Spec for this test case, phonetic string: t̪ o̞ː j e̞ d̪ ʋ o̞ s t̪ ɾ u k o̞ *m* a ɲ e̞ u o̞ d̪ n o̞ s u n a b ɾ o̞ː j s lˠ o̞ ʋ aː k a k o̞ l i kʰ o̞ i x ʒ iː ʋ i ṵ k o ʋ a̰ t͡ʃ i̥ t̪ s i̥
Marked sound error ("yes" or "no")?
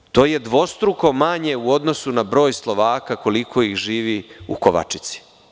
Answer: no